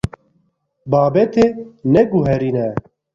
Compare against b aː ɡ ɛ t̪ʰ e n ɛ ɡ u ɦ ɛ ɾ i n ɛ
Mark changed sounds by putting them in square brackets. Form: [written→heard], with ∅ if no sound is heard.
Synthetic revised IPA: b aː [ɡ→b] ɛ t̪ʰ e n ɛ ɡ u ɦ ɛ ɾ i n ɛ